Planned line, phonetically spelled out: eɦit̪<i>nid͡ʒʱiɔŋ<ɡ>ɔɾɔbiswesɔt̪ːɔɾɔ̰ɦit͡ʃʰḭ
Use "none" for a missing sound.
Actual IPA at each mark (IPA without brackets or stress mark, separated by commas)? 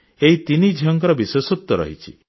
i, k